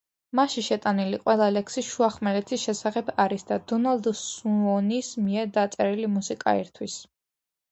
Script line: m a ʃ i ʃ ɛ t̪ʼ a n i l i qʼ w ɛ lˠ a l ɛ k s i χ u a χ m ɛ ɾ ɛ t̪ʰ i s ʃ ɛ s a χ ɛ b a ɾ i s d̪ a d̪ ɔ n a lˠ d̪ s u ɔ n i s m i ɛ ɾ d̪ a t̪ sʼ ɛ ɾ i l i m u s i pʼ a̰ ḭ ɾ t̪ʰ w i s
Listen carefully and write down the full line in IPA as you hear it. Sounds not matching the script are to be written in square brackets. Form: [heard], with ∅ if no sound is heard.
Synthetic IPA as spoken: m a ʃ i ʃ ɛ t̪ʼ a n i l i qʼ w ɛ lˠ a l ɛ k s i [ʃ] u a χ m ɛ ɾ ɛ t̪ʰ i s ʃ ɛ s a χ ɛ b a ɾ i s d̪ a d̪ ɔ n a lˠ d̪ s u ɔ n i s m i ɛ ɾ d̪ a t̪ sʼ ɛ ɾ i l i m u s i [kʼ] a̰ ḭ ɾ t̪ʰ w i s